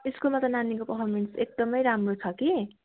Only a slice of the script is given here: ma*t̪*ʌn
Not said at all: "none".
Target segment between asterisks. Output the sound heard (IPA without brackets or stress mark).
t̪